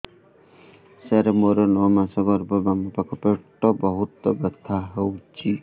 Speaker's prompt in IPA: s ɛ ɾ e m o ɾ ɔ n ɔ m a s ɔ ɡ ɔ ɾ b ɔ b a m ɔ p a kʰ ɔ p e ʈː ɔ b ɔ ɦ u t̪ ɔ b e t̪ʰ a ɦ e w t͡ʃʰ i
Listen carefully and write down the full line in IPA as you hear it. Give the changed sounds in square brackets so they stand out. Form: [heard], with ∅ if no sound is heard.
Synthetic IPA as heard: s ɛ ɾ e m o ɾ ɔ n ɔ m a s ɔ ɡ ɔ ɾ b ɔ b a m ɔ p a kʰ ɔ p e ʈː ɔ b ɔ ɦ u t̪ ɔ b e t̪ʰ a ɦ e w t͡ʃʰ i